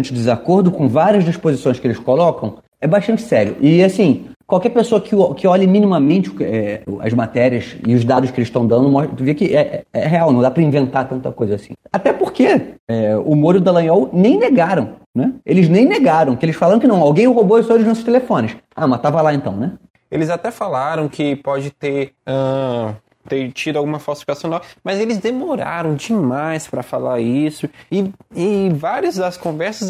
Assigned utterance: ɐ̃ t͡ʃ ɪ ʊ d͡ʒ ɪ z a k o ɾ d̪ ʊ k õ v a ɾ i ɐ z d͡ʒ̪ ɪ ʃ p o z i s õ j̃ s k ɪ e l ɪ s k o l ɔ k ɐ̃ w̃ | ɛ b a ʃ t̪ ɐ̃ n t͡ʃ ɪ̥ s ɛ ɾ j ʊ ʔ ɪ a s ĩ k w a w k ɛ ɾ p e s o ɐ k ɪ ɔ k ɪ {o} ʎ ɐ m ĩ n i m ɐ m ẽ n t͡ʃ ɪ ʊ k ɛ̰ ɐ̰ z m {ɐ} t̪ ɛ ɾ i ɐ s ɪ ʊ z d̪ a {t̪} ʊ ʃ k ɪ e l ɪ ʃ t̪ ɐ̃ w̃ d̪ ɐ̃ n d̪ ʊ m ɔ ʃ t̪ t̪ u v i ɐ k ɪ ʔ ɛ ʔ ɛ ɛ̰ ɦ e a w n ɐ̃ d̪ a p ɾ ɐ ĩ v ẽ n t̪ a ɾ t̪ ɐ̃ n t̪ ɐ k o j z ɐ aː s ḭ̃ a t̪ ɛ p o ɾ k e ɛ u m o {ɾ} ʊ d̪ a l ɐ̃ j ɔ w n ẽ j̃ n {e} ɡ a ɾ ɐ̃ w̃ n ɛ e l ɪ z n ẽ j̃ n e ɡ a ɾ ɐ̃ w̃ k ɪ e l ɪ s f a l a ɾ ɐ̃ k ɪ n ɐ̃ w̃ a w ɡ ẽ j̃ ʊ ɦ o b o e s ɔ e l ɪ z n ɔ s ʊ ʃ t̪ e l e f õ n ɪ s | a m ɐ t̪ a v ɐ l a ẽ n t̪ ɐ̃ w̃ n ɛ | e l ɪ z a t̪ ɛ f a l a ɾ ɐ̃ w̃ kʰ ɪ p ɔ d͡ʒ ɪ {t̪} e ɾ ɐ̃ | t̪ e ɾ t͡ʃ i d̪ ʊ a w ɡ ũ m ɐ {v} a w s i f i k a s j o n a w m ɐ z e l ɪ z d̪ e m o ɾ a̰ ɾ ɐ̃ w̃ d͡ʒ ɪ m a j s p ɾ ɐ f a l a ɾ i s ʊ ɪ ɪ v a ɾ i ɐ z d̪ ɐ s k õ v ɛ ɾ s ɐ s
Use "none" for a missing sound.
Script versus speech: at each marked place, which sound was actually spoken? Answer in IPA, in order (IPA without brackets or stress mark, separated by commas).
ɔ, a, d̪, ɾ, e, t̪, f